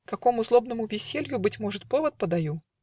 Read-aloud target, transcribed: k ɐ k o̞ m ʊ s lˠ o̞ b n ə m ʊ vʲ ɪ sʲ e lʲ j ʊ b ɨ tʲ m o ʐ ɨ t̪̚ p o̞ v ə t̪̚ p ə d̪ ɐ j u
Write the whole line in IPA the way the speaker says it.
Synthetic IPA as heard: k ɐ k o̞ m ʊ z lˠ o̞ b n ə m ʊ vʲ ɪ sʲ e lʲ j ʊ b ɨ tʲ m o ʐ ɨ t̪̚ p o̞ v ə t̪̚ p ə d̪ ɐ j u